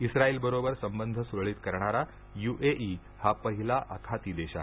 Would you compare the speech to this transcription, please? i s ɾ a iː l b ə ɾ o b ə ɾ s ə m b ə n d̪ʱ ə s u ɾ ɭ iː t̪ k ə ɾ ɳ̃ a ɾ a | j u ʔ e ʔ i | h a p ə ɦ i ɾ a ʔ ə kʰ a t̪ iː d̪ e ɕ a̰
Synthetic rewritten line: i s ɾ a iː l b ə ɾ o b ə ɾ s ə m b ə n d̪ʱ ə s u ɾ ɭ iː t̪ k ə ɾ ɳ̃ a ɾ a | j u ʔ e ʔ i | h a p ə ɦ i l a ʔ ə kʰ a t̪ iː d̪ e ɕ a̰